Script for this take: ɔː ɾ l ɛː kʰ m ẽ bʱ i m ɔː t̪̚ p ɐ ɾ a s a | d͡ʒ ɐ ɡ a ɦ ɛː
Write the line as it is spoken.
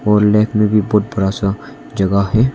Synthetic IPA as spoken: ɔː ɾ l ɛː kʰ m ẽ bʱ i b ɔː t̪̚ b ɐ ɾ a s a | d͡ʒ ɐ ɡ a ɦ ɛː